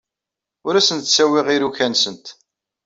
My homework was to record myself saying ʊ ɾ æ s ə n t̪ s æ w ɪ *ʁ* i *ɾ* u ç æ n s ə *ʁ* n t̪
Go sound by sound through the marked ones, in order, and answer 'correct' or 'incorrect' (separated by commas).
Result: correct, correct, incorrect